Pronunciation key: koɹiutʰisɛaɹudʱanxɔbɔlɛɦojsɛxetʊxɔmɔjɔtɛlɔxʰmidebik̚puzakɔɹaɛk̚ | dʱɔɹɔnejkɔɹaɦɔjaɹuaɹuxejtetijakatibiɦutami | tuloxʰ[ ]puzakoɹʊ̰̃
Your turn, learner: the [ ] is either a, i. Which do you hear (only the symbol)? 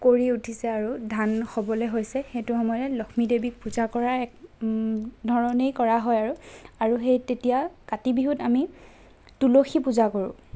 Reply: i